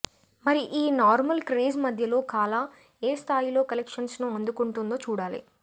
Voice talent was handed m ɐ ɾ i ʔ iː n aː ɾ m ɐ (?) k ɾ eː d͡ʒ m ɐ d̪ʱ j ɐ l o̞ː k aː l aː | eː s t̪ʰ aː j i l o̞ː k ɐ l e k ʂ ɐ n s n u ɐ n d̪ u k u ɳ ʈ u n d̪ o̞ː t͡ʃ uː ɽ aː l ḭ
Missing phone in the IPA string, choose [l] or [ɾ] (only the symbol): l